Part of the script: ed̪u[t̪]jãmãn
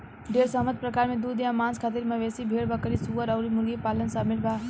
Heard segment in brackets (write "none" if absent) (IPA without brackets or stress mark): d̪